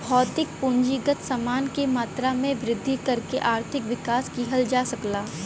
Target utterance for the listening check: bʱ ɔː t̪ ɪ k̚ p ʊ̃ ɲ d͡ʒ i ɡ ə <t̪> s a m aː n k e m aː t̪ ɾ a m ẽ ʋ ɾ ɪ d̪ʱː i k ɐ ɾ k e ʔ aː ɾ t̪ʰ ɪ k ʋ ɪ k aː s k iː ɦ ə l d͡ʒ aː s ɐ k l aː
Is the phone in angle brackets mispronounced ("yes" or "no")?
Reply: no